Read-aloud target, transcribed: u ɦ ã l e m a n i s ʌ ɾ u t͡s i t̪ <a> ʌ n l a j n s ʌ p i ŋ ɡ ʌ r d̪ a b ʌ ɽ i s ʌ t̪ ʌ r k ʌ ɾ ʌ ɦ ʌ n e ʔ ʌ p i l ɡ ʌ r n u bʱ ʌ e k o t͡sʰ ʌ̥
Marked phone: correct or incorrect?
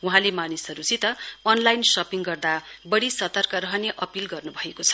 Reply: incorrect